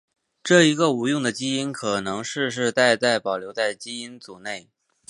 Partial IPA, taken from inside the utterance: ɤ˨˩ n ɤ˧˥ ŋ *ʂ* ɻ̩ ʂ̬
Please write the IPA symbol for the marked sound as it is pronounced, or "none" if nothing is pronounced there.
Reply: ʂ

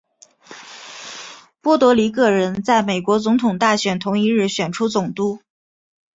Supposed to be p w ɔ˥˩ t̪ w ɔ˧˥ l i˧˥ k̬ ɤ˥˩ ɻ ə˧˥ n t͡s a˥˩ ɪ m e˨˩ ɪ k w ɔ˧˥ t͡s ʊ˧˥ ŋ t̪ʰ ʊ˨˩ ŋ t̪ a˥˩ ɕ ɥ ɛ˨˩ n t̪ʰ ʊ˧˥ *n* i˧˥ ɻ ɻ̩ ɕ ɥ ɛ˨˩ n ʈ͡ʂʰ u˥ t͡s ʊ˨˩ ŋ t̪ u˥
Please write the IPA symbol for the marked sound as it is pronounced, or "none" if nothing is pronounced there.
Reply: ŋ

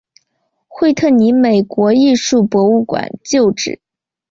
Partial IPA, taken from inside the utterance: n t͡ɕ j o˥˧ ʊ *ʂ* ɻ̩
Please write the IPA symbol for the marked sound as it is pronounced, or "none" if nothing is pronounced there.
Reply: ʈ͡ʂ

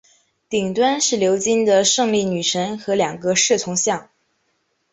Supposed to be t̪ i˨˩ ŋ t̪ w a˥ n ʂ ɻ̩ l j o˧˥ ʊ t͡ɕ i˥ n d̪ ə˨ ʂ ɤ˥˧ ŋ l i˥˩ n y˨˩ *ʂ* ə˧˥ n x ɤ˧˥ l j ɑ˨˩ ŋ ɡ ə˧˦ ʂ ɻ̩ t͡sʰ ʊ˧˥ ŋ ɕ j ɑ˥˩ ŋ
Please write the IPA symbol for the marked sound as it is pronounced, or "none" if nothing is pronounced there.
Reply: ʂ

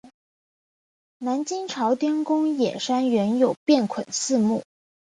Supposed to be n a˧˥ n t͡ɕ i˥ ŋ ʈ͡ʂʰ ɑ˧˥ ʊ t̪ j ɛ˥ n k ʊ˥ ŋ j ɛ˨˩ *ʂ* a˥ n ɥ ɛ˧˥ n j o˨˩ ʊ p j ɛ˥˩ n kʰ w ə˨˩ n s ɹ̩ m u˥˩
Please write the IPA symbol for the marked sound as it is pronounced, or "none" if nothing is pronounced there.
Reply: ʂ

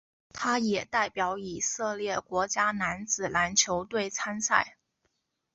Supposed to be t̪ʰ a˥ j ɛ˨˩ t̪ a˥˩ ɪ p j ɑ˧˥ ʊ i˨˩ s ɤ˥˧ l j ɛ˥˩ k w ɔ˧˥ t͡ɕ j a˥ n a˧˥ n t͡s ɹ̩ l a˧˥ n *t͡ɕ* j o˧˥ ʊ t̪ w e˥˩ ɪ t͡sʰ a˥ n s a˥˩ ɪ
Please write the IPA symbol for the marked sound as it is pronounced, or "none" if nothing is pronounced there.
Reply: t͡ɕʰ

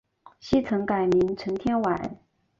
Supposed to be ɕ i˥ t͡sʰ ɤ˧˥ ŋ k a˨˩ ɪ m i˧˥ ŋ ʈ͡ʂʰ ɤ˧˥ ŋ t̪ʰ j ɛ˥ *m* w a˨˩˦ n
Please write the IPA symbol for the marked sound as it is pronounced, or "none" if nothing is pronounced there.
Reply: n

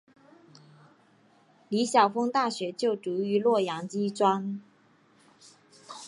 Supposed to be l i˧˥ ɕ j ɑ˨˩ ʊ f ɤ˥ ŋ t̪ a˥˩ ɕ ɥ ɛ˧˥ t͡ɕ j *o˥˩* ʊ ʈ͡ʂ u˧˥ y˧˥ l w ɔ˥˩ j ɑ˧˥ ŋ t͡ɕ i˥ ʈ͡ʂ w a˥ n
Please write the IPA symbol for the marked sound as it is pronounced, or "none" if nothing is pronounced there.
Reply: o˥˩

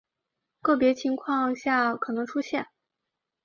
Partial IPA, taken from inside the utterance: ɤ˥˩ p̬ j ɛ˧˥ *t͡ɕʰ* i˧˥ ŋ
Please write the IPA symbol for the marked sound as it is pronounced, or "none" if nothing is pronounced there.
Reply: t͡ɕʰ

